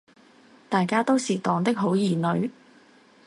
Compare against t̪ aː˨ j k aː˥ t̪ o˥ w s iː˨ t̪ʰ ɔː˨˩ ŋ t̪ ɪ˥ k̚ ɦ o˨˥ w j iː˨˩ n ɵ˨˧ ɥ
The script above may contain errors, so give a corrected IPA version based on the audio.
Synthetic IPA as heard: t̪ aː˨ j k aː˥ t̪ o˥ w s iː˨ t̪ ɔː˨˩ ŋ t̪ ɪ˥ k̚ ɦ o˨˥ w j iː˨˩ n ɵ˨˧ ɥ